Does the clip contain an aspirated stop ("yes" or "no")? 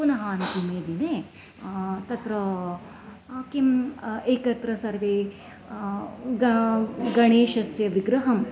no